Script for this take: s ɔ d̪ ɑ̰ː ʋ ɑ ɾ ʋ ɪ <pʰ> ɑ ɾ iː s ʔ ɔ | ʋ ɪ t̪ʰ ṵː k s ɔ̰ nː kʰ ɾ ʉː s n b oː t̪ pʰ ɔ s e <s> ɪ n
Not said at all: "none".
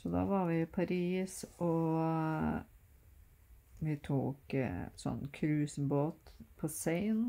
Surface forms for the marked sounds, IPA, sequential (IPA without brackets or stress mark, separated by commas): pʰ, none